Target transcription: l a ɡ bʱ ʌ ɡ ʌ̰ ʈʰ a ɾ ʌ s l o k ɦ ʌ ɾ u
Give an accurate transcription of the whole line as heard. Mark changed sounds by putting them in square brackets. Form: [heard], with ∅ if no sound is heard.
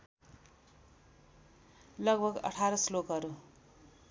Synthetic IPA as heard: l [ʌ] ɡ bʱ ʌ ɡ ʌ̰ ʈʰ a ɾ ʌ s l o k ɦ ʌ ɾ u